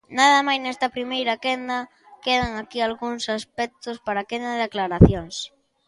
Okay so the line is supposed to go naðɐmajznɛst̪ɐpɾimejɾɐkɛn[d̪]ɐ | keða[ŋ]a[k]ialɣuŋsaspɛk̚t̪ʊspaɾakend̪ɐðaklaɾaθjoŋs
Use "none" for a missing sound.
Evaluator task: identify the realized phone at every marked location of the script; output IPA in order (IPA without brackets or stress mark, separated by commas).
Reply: d̪, ŋ, k